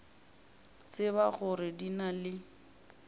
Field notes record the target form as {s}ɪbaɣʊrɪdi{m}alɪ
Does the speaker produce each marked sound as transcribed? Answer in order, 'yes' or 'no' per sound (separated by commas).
no, no